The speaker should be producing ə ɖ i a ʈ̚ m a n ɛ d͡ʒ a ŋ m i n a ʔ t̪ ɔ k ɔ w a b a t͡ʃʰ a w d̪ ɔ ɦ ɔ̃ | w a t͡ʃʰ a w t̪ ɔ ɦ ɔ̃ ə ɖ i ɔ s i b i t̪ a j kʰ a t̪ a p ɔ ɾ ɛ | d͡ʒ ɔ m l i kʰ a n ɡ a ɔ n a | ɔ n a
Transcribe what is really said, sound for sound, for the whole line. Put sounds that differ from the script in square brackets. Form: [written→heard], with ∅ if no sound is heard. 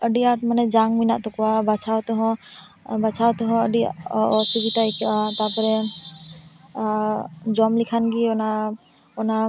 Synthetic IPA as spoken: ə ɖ i a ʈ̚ m a n ɛ d͡ʒ a ŋ m i n a ʔ t̪ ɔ k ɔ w a b a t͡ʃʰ a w [d̪→t̪] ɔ ɦ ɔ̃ | [w→b] a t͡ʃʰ a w t̪ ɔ ɦ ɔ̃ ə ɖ i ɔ s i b i t̪ a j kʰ a t̪ a p ɔ ɾ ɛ | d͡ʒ ɔ m l i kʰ a n ɡ [a→i] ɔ n a | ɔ n a

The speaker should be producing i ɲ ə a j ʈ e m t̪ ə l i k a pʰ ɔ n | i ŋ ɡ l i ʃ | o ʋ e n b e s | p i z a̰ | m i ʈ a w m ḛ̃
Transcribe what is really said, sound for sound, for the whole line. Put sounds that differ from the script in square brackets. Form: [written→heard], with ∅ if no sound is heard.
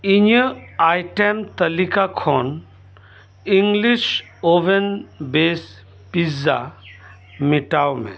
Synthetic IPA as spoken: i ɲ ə a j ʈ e m t̪ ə l i k a [pʰ→kʰ] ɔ n | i ŋ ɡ l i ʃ | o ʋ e n b e s | p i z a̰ | m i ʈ a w m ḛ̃

